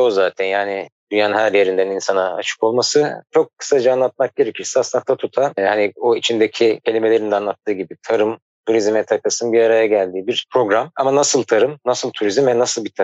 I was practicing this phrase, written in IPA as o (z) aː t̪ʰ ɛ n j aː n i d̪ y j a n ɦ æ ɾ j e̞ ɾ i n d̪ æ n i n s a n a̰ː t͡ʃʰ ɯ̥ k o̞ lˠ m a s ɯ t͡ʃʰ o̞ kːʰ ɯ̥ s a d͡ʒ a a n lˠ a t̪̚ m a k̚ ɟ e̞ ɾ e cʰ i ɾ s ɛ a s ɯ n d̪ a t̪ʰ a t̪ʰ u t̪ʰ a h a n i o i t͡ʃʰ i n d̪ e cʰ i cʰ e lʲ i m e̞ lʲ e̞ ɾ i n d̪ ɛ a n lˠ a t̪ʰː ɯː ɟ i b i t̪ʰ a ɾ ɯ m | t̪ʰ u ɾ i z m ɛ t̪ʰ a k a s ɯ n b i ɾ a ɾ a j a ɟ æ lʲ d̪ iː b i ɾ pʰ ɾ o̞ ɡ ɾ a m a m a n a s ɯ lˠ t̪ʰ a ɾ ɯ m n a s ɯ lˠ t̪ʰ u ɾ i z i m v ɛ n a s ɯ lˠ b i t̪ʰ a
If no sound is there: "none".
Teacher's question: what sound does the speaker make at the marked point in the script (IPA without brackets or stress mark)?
z